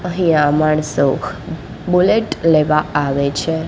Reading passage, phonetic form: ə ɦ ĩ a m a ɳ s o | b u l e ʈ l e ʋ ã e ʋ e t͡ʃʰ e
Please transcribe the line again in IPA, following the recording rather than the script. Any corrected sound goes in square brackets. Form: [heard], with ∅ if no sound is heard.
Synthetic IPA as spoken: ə ɦ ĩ a m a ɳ s o | b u l e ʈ l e ʋ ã [a] ʋ e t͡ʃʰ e